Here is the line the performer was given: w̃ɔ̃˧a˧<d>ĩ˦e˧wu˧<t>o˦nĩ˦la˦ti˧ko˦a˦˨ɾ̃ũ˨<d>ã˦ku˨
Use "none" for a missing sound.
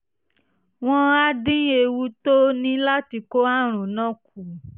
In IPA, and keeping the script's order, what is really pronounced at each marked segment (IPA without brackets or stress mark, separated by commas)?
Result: d, t, n